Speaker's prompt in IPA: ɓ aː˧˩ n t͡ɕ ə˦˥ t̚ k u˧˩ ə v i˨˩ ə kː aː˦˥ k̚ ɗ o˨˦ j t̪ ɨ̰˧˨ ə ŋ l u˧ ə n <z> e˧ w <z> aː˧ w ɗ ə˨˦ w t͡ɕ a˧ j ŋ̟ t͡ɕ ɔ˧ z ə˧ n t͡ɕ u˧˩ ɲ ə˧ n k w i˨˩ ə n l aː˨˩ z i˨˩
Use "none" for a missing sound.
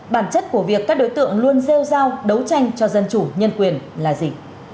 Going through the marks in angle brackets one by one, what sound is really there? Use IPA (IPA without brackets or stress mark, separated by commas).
z, z